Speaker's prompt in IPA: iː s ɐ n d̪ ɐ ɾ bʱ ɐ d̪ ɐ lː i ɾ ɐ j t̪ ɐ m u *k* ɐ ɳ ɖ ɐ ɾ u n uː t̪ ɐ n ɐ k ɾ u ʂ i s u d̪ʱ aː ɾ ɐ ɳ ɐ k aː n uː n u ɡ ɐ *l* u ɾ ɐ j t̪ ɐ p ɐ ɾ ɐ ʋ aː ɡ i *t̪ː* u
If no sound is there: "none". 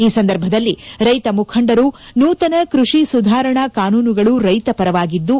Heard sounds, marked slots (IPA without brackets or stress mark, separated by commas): kʰ, ɭ, d̪ː